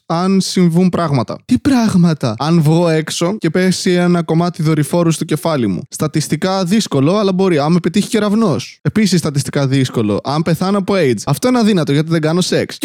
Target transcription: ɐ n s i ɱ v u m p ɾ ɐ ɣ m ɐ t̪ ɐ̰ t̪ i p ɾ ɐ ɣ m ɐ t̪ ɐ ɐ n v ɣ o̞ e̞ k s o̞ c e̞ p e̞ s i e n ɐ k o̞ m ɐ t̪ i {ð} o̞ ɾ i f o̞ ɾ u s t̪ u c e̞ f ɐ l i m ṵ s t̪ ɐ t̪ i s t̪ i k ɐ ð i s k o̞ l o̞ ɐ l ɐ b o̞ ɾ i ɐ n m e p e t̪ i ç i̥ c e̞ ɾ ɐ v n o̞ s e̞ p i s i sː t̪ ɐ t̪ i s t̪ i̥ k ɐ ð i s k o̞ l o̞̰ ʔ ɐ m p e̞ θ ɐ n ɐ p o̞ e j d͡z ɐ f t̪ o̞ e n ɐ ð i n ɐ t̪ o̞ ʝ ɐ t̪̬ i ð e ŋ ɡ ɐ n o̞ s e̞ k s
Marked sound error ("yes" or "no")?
no